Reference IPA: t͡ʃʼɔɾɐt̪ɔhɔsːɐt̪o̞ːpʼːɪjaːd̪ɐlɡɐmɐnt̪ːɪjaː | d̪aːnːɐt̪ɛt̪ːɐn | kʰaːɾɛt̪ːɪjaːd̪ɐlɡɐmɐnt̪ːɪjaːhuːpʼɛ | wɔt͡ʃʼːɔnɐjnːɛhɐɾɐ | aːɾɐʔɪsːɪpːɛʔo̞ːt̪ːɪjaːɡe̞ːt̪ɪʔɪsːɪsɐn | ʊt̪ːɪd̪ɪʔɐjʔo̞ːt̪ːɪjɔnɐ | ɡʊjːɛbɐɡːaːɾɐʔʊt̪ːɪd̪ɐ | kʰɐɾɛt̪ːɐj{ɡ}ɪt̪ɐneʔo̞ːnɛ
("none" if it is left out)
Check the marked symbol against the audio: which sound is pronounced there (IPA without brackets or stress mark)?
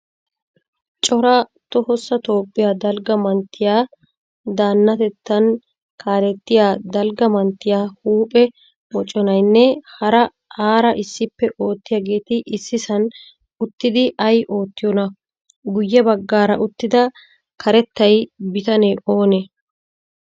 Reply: b